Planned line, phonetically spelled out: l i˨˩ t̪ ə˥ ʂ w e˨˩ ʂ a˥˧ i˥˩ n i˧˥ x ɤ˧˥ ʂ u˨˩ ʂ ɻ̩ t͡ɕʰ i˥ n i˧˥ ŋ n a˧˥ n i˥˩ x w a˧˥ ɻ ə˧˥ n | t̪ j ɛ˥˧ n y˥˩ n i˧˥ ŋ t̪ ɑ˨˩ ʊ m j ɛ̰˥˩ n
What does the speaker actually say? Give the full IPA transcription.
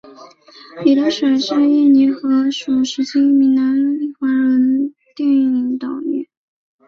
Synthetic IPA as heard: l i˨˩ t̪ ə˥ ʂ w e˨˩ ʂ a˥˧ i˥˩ n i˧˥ x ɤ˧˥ ʂ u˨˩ ʂ ɻ̩ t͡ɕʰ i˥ m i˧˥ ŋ n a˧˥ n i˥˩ x w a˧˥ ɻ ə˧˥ n | t̪ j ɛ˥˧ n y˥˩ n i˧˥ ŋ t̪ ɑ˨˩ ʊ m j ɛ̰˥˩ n